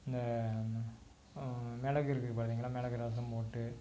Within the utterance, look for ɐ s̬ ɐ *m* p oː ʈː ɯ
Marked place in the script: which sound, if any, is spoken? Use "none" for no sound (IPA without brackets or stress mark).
m